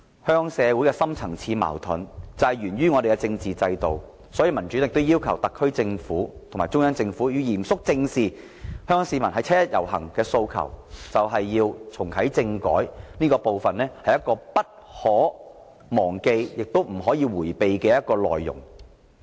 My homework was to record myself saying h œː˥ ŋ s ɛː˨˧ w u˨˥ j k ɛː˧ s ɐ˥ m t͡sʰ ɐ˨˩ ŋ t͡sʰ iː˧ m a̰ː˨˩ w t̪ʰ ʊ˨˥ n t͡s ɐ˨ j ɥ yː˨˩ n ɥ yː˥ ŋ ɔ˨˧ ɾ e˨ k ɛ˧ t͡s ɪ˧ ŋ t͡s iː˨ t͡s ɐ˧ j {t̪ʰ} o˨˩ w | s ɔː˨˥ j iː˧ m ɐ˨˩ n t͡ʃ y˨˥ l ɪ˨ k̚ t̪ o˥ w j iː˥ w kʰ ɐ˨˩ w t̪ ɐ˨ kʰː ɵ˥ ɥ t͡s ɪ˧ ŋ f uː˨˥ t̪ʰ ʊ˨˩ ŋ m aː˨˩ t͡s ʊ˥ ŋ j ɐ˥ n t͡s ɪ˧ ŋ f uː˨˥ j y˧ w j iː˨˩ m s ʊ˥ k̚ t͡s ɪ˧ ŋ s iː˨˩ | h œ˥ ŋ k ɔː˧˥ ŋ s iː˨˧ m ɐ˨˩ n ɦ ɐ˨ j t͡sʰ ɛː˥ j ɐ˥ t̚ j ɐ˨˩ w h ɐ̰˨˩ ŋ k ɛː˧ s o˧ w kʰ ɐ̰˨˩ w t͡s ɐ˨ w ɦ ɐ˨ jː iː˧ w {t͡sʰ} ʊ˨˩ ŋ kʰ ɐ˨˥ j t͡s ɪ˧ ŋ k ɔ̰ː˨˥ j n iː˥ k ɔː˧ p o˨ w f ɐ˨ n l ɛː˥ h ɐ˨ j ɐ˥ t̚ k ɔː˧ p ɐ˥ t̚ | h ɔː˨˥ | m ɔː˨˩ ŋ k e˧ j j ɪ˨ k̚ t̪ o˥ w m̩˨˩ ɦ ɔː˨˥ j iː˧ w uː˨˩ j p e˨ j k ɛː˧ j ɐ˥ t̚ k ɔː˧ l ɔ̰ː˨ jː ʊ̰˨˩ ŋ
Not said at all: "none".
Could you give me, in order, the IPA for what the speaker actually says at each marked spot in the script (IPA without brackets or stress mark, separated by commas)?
t̪, t͡sʰ